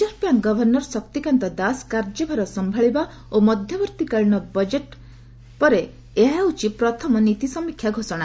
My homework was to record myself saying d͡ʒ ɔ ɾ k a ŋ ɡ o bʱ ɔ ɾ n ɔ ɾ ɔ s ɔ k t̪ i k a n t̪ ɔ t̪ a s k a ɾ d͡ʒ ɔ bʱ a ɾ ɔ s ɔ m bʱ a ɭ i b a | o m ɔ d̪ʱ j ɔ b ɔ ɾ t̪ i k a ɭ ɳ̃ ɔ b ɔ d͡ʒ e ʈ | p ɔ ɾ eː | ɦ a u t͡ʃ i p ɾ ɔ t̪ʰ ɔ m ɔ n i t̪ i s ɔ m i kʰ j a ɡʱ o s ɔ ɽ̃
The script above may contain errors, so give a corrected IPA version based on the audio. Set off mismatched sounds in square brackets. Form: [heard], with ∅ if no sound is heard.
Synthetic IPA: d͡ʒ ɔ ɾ [p] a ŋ ɡ [ɔ] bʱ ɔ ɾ n ɔ ɾ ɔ s ɔ k t̪ i k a n t̪ ɔ [d̪] a s k a ɾ d͡ʒ ɔ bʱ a ɾ ɔ s ɔ m bʱ a ɭ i b a | o m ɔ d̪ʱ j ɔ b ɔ ɾ t̪ i k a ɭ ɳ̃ ɔ b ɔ d͡ʒ e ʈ | p ɔ ɾ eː | ɦ a u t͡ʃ i p ɾ ɔ t̪ʰ ɔ m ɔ n i t̪ i s ɔ m i kʰ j a ɡʱ o s ɔ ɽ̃

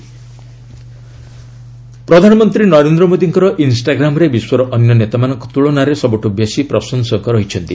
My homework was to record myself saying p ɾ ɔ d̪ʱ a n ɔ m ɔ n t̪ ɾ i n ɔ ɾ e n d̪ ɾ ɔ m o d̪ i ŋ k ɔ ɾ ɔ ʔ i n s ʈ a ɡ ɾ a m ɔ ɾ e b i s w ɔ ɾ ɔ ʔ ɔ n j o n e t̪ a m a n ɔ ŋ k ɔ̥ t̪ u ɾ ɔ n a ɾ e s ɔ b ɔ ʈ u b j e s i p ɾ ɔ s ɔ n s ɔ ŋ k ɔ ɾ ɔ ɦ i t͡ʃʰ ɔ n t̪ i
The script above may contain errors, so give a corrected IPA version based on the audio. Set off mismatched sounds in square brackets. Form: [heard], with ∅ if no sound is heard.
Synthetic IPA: p ɾ ɔ d̪ʱ a n ɔ m ɔ n t̪ ɾ i n ɔ ɾ e n d̪ ɾ ɔ m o d̪ i ŋ k ɔ ɾ ɔ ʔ i n s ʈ a ɡ ɾ a m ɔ ɾ e b i s w ɔ ɾ ɔ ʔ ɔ n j [ɔ] n e t̪ a m a n ɔ ŋ k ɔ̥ t̪ u [ɭ] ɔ n a ɾ e s ɔ b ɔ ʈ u b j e s i p ɾ ɔ s ɔ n s ɔ ŋ k ɔ ɾ ɔ ɦ i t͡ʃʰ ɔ n t̪ i

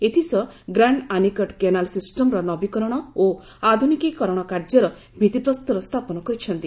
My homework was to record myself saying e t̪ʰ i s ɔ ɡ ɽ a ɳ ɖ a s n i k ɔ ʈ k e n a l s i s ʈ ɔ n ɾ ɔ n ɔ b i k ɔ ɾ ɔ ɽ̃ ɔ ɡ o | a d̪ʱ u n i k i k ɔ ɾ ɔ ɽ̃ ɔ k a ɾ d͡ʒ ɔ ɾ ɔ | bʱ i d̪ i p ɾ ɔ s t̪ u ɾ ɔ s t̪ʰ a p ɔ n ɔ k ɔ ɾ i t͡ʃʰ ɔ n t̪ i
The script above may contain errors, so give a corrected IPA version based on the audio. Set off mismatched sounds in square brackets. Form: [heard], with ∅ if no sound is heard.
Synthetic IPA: e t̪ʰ i s ɔ ɡ [ɾ] a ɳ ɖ a [∅] n i k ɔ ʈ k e n a l s i s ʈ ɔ [m] ɾ ɔ n ɔ b i k ɔ ɾ ɔ ɽ̃ ɔ [∅] o | a d̪ʱ u n i k i k ɔ ɾ ɔ ɽ̃ ɔ k a ɾ d͡ʒ ɔ ɾ ɔ | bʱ i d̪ i p ɾ ɔ s t̪ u ɾ ɔ s t̪ʰ a p ɔ n ɔ k ɔ ɾ i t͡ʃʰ ɔ n t̪ i

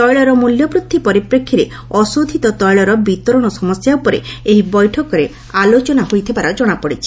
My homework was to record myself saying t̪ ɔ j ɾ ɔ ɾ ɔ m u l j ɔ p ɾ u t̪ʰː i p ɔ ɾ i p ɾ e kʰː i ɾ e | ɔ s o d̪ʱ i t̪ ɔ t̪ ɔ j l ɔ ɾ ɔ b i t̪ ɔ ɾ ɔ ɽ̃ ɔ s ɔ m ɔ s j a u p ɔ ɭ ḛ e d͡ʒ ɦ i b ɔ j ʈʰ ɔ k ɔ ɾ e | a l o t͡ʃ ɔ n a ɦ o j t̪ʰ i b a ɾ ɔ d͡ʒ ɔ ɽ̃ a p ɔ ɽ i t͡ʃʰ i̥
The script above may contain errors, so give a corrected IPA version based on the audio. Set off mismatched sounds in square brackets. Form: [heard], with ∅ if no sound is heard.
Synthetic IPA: t̪ ɔ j [ɭ] ɔ ɾ ɔ m u l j ɔ p ɾ u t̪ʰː i p ɔ ɾ i p ɾ e kʰː i ɾ e | ɔ s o d̪ʱ i t̪ ɔ t̪ ɔ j [ɭ] ɔ ɾ ɔ b i t̪ ɔ ɾ ɔ ɽ̃ ɔ s ɔ m ɔ s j a u p ɔ [ɾ] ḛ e [∅] ɦ i b ɔ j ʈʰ ɔ k ɔ ɾ e | a l o t͡ʃ ɔ n a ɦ o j t̪ʰ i b a ɾ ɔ d͡ʒ ɔ ɽ̃ a p ɔ ɽ i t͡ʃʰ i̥

